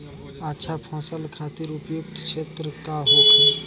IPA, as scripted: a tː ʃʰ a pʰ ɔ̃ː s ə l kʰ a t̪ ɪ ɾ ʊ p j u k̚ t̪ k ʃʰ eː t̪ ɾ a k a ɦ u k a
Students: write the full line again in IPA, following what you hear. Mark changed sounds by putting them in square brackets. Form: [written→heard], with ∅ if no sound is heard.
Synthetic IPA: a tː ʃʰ a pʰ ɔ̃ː s ə l kʰ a t̪ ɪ ɾ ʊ p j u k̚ t̪ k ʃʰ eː t̪ ɾ [a→ə] k a ɦ [u→o] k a